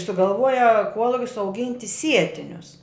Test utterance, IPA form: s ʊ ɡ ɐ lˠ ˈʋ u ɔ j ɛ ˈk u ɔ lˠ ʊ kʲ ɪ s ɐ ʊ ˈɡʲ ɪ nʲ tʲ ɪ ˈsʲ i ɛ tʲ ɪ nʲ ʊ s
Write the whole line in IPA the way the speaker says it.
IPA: s ʊ ɡ ɐ lˠ ˈʋ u ɔ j ɛ ˈk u ɔ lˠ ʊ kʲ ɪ s ɐ ʊ ˈɡʲ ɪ nʲ tʲ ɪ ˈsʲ i ɛ tʲ ɪ nʲ ʊ s

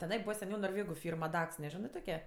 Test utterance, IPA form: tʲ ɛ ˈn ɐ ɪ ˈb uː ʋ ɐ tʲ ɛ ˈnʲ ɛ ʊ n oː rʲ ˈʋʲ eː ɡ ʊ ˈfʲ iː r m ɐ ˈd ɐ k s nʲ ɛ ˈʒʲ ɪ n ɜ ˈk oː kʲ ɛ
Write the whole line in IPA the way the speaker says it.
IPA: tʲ ɛ ˈn ɐ ɪ ˈb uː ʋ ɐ sʲ ɛ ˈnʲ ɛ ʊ n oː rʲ ˈʋʲ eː ɡ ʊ ˈfʲ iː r m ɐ ˈd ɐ k s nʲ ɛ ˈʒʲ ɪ n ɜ ˈt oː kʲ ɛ

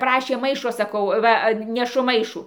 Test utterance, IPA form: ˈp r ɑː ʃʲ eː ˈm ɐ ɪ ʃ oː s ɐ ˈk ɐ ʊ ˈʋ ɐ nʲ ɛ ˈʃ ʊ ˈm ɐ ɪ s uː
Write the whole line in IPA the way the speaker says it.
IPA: ˈp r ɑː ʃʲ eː ˈm ɐ ɪ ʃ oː s ɐ ˈk ɐ ʊ ˈʋ ɐ nʲ ɛ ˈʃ ʊ ˈm ɐ ɪ ʃ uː

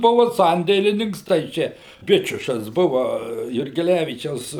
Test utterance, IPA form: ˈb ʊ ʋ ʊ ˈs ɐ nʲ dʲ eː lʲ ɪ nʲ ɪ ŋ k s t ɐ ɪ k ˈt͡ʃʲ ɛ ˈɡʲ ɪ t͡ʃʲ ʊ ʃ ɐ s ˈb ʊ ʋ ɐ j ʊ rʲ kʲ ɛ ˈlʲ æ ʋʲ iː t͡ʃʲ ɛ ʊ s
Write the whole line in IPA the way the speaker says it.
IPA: ˈb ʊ ʋ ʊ ˈs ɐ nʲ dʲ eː lʲ ɪ nʲ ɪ ŋ k s t ɐ ɪ ˈt͡ʃʲ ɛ ˈbʲ ɪ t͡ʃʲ ʊ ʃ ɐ s ˈb ʊ ʋ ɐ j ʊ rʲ ɡʲ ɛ ˈlʲ æ ʋʲ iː t͡ʃʲ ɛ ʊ s

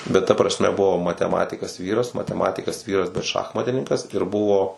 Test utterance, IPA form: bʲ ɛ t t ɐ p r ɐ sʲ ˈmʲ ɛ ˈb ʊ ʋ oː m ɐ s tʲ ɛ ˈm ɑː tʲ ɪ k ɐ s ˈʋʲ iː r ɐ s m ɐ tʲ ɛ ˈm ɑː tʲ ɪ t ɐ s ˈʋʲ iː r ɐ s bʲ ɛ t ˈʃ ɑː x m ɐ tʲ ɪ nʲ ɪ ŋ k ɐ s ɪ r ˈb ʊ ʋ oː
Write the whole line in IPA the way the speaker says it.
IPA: bʲ ɛ t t ɐ p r ɐ sʲ ˈmʲ ɛ ˈb ʊ ʋ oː m ɐ tʲ ɛ ˈm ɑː tʲ ɪ k ɐ s ˈʋʲ iː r ɐ s m ɐ tʲ ɛ ˈm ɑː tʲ ɪ k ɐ s ˈʋʲ iː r ɐ s bʲ ɛ t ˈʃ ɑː x m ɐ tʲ ɪ nʲ ɪ ŋ k ɐ s ɪ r ˈb ʊ ʋ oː

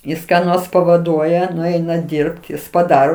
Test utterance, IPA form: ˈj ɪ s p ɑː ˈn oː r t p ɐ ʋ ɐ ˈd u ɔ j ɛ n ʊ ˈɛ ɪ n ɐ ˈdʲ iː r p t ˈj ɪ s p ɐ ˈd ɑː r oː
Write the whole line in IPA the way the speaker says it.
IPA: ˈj ɪ s k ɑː ˈn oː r s p ɐ ʋ ɐ ˈd u ɔ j ɛ n ʊ ˈɛ ɪ n ɐ ˈdʲ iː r p t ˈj ɪ s p ɐ ˈd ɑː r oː

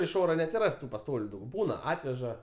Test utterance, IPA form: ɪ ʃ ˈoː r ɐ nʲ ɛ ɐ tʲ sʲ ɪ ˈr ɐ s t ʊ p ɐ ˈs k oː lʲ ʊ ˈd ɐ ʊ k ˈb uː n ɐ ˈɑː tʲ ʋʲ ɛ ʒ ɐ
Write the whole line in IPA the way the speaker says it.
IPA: ɪ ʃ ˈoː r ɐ nʲ ɛ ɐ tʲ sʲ ɪ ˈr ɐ s t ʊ p ɐ ˈs t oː lʲ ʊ ˈd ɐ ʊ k ˈb uː n ɐ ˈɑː tʲ ʋʲ ɛ ʒ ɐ

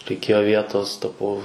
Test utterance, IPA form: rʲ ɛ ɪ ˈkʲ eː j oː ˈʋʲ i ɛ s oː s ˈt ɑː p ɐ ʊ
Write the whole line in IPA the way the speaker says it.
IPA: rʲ ɛ ɪ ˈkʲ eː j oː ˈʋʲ i ɛ t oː s ˈt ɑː p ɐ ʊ

